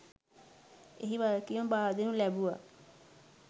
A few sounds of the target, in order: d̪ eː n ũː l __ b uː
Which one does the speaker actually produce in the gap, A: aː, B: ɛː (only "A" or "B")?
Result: B